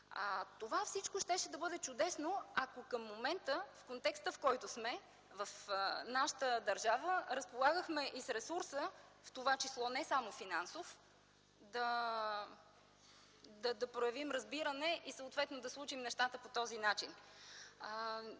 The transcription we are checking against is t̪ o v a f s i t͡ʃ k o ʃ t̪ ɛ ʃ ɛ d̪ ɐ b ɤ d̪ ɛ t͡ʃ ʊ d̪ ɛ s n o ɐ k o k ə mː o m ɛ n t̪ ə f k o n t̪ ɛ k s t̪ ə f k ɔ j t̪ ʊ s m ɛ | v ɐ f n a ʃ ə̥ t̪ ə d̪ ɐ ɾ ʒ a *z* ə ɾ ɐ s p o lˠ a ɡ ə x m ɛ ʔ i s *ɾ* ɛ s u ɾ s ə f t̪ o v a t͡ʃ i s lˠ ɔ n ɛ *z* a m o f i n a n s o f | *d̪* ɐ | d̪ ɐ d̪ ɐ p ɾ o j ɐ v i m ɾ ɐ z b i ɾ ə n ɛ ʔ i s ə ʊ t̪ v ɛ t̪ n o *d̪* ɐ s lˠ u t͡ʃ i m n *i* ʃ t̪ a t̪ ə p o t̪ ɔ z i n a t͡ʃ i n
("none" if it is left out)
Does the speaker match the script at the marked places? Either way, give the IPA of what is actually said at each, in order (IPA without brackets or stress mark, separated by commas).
v, ɾ, s, d̪, d̪, ɛ